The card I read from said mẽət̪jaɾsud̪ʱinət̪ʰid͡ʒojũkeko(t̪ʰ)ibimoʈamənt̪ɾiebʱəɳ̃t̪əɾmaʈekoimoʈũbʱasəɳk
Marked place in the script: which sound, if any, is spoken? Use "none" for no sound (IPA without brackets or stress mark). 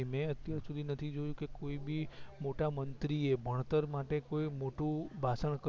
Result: none